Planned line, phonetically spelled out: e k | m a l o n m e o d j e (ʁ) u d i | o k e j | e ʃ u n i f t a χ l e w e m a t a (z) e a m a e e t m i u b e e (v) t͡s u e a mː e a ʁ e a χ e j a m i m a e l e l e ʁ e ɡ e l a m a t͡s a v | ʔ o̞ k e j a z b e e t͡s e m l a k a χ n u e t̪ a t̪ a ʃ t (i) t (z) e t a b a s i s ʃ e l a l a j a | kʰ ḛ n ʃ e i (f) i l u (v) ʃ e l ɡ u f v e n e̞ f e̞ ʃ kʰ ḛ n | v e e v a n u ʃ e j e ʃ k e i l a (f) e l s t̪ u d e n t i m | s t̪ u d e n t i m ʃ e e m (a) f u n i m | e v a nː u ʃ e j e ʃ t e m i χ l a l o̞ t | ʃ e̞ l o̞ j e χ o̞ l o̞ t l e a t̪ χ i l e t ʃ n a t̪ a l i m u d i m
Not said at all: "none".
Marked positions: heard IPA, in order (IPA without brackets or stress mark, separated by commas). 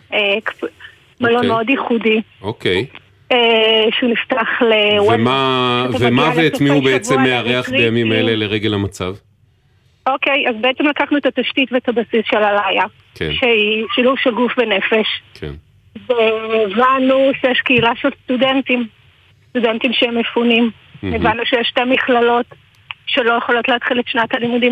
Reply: χ, v, v, i, v, ʃ, v, ʃ, e